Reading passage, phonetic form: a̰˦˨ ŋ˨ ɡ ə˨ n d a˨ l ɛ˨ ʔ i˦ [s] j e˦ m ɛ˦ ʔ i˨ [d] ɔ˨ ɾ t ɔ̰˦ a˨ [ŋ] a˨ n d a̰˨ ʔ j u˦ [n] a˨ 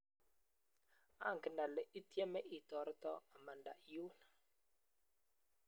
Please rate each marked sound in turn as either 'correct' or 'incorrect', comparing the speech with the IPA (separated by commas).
incorrect, incorrect, incorrect, correct